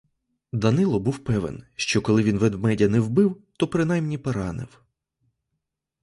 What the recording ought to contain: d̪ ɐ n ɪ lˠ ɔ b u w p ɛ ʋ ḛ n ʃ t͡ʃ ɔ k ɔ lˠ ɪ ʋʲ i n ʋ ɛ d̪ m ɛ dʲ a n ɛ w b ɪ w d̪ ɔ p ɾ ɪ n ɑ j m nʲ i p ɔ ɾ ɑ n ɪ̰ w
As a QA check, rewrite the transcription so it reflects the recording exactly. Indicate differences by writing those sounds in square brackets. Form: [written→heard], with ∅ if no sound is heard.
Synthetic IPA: d̪ ɐ n ɪ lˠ ɔ b u w p ɛ ʋ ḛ n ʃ t͡ʃ ɔ k ɔ lˠ ɪ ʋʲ i n ʋ ɛ d̪ m ɛ dʲ [a→ɐ] n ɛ w b ɪ w [d̪→t̪] ɔ p ɾ ɪ n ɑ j m nʲ i p ɔ ɾ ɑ n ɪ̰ w